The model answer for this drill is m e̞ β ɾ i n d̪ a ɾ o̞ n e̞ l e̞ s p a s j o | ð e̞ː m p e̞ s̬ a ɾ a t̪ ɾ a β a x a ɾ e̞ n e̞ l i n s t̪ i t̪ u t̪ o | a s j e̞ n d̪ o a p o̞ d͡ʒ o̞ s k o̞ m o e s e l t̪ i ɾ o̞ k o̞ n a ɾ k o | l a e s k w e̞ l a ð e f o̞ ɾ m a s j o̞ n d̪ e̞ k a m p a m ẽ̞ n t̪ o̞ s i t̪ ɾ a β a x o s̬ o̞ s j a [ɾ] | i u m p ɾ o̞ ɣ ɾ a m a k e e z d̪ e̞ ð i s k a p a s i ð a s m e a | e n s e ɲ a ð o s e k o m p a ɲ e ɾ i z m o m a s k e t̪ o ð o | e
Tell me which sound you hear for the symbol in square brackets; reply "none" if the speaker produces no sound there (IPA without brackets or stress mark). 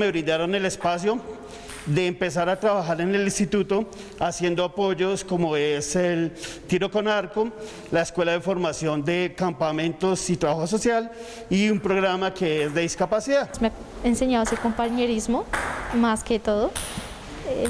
l